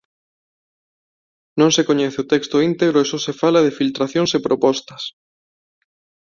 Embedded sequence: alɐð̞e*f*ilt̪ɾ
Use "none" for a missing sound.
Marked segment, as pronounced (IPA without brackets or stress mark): f